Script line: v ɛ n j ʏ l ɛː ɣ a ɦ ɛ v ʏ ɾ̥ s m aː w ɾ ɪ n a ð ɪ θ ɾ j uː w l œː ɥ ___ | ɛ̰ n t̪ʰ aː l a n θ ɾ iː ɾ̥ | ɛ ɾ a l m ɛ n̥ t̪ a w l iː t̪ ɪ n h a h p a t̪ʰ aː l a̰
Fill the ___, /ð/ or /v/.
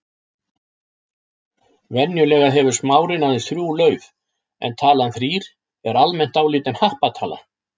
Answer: v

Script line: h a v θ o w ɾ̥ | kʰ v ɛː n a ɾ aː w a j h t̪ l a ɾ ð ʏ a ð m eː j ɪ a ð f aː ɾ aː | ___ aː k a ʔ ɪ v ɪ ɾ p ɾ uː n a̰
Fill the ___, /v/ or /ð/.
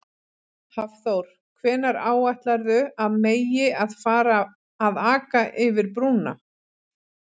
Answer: ð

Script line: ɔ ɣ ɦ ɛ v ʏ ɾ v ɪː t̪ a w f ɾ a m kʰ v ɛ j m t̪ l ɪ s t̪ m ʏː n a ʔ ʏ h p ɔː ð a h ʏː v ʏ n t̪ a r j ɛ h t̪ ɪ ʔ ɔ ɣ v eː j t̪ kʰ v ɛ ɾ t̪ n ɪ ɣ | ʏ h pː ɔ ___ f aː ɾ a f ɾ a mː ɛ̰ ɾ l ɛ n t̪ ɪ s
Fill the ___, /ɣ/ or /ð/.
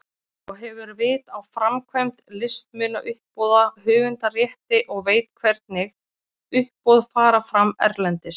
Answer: ð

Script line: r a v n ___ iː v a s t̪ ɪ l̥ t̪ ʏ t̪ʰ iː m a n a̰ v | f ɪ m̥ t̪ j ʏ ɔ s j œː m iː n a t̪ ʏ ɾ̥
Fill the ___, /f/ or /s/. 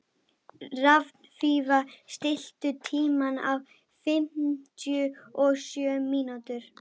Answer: f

